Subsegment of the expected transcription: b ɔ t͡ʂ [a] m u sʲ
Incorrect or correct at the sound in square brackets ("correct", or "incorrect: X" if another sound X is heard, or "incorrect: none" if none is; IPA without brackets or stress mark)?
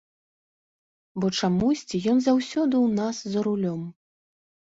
correct